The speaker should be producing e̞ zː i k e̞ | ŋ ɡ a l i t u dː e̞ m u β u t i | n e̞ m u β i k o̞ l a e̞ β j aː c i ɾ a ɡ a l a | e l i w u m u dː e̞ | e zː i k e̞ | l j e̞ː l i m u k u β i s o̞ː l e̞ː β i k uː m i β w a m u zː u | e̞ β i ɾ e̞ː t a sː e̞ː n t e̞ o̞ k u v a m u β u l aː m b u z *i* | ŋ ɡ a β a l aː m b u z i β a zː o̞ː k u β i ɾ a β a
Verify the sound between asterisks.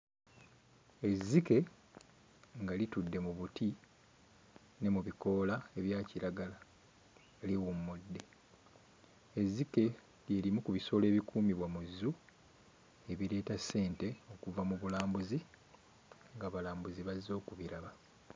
correct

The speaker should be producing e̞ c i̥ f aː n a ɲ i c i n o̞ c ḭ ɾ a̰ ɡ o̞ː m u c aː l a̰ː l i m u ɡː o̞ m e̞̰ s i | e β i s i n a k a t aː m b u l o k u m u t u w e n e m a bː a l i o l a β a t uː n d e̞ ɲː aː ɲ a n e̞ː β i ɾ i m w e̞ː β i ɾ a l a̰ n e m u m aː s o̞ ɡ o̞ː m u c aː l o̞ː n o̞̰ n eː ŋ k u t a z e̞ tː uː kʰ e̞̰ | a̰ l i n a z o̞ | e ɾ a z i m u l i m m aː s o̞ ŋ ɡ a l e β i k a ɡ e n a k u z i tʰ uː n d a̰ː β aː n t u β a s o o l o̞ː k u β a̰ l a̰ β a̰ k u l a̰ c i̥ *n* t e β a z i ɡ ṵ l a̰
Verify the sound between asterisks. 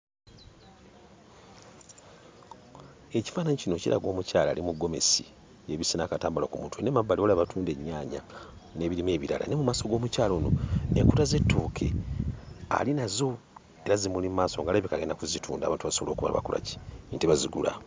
correct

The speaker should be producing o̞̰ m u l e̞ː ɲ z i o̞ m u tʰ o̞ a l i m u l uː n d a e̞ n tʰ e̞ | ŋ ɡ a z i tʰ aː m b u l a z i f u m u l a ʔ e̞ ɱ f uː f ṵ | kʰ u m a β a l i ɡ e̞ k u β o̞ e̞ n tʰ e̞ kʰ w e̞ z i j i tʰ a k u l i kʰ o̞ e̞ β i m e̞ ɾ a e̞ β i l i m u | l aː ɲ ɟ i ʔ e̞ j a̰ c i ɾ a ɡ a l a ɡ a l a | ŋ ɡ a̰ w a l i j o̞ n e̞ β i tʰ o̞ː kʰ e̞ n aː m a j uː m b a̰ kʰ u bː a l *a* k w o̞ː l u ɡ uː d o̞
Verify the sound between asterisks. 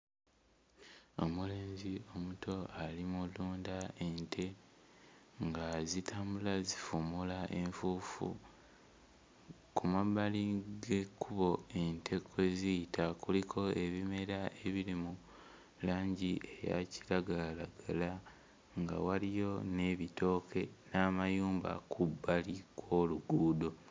incorrect: i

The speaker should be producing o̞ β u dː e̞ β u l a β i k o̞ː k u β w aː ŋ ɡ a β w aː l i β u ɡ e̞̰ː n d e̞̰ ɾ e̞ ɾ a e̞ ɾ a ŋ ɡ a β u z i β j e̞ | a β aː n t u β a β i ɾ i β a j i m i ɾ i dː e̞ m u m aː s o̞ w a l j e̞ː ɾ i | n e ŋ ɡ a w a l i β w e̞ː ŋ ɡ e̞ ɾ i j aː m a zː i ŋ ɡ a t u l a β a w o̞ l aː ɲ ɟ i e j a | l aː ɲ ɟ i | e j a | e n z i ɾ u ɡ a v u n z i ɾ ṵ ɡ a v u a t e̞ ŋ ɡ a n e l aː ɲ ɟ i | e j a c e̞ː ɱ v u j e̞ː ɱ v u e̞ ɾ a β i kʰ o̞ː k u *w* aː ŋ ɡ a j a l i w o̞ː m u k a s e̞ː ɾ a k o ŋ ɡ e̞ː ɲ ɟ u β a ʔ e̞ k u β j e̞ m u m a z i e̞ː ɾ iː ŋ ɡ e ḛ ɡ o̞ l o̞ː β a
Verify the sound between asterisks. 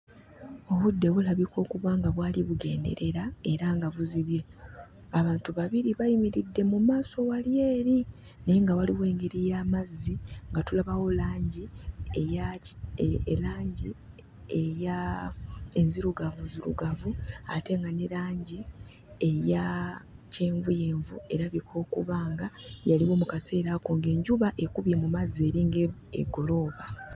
incorrect: β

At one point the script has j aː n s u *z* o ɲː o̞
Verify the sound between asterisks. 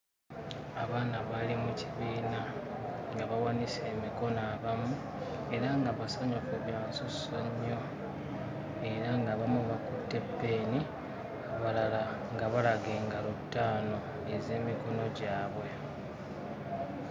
incorrect: s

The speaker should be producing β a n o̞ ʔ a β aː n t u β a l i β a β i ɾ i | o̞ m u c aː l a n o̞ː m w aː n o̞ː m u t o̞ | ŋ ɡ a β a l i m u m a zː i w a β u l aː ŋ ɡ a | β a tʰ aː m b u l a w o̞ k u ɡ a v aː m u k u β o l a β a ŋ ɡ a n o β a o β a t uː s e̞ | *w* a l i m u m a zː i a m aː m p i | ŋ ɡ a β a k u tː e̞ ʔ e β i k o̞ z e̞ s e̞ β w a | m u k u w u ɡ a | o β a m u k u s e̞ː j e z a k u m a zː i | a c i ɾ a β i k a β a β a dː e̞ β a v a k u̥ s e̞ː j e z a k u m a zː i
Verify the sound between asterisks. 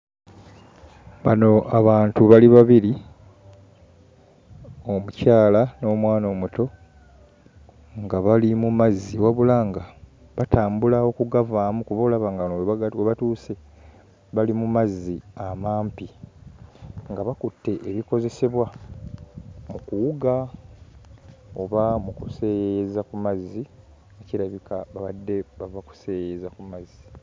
incorrect: β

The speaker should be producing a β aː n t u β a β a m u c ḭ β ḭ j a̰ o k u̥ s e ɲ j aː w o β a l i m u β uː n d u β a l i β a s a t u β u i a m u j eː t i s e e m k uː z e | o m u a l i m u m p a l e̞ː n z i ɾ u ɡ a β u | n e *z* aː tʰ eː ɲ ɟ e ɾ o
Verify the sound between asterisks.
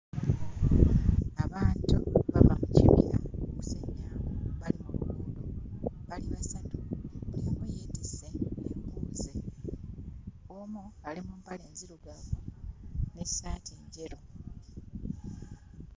incorrect: s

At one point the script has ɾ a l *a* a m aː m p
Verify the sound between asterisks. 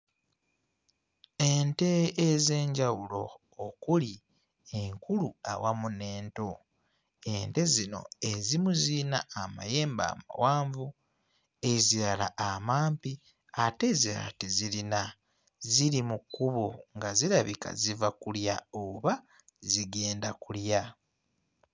correct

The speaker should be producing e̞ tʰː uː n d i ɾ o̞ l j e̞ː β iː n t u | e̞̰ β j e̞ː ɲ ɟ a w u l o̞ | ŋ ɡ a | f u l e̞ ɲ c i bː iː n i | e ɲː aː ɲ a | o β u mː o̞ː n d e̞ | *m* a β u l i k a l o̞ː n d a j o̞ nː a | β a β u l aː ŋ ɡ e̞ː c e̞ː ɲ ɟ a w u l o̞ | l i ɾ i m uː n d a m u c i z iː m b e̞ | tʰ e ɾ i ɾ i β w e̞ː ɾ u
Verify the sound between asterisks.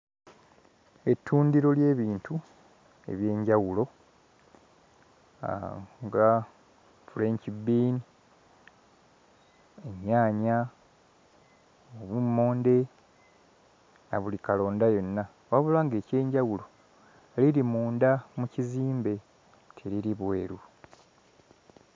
incorrect: n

